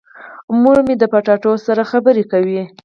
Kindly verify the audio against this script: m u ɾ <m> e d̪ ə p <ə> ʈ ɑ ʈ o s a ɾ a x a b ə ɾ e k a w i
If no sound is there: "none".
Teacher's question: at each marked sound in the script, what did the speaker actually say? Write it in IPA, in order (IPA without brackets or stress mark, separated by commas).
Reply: m, a